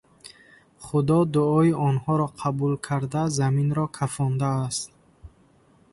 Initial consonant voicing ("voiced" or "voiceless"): voiceless